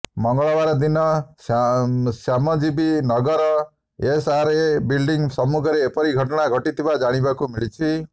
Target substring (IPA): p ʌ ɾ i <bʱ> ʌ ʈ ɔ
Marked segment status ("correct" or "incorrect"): incorrect